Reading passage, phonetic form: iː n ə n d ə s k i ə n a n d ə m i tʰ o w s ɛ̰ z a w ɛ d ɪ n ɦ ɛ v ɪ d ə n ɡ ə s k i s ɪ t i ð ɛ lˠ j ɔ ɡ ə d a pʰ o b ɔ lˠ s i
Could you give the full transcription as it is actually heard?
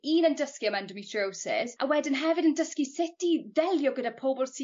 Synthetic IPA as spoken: iː n ə n d ə s k i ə m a n d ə m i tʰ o w s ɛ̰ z a w ɛ d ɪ n ɦ ɛ v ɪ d ə n d ə s k i s ɪ t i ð ɛ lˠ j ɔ ɡ ə d a pʰ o b ɔ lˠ s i